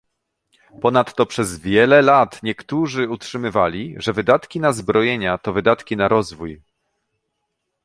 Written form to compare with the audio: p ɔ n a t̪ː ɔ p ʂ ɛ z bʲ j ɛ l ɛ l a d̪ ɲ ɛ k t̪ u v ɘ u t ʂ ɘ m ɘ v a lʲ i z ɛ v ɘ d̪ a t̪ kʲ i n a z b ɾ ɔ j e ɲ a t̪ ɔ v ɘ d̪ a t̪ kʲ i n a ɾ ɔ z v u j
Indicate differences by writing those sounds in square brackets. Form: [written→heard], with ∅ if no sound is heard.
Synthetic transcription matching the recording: p ɔ n a t̪ː ɔ p ʂ ɛ z [bʲ→vʲ] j ɛ l ɛ l a [d̪→t̪] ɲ ɛ k t̪ u [v→ʐ] ɘ u t ʂ ɘ m ɘ v a lʲ i [z→ʐ] ɛ v ɘ d̪ a t̪ kʲ i n a z b ɾ ɔ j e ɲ a t̪ ɔ v ɘ d̪ a t̪ kʲ i n a ɾ ɔ z v u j

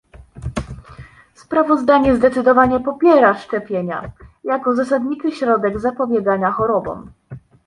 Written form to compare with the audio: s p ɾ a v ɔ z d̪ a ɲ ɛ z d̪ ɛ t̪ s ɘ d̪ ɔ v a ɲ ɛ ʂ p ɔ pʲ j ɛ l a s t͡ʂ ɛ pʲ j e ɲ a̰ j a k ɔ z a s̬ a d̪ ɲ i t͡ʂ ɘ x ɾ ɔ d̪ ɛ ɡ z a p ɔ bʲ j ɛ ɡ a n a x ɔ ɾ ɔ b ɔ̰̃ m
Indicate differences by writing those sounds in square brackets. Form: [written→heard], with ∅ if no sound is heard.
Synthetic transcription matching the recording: s p ɾ a v ɔ z d̪ a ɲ ɛ z d̪ ɛ t̪ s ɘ d̪ ɔ v a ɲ ɛ [ʂ→∅] p ɔ pʲ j ɛ [l→ɾ] a [s→ʂ] t͡ʂ ɛ pʲ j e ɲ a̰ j a k ɔ z a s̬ a d̪ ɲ i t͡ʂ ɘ [x→ɕ] ɾ ɔ d̪ ɛ ɡ z a p ɔ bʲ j ɛ ɡ a [n→ɲ] a x ɔ ɾ ɔ b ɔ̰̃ m

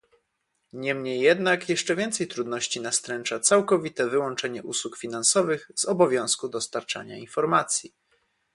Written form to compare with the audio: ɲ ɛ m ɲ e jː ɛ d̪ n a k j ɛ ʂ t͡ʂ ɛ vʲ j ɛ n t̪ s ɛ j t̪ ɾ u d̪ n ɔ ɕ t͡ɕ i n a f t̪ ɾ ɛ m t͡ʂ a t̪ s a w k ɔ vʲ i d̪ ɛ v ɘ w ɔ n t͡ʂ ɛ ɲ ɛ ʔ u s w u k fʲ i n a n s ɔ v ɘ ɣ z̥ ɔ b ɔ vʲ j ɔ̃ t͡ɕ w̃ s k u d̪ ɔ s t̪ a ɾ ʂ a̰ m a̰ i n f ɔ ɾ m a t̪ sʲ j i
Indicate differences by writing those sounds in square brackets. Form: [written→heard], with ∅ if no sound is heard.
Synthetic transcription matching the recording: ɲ ɛ m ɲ e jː ɛ d̪ n a k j ɛ ʂ t͡ʂ ɛ vʲ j ɛ n t̪ s ɛ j t̪ ɾ u d̪ n ɔ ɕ t͡ɕ i n a [f→s] t̪ ɾ ɛ [m→n] t͡ʂ a t̪ s a w k ɔ vʲ i [d̪→t̪] ɛ v ɘ w ɔ n t͡ʂ ɛ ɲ ɛ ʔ u s w u k fʲ i n a n s ɔ v ɘ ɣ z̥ ɔ b ɔ vʲ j ɔ̃ [t͡ɕ→∅] w̃ s k u d̪ ɔ s t̪ a ɾ [ʂ→t͡ʂ] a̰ [m→ɲ] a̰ i n f ɔ ɾ m a t̪ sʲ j i

